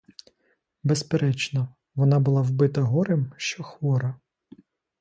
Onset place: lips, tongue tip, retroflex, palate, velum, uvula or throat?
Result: lips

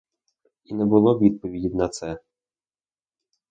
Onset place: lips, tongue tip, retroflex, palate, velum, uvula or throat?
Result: tongue tip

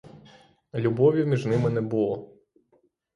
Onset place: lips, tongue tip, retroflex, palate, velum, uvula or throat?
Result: tongue tip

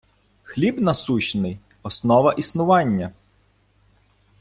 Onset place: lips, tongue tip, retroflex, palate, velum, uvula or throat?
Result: velum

